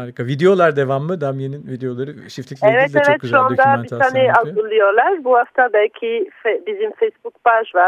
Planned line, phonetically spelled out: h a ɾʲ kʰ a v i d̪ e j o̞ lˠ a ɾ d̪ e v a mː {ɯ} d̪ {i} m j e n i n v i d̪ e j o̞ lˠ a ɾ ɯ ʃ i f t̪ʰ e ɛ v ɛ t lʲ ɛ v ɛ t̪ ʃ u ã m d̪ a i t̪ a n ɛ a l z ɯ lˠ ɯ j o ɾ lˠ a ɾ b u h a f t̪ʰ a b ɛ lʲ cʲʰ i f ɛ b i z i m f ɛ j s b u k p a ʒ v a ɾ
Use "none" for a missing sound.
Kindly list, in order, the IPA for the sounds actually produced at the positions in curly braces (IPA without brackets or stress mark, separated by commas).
ɯ, a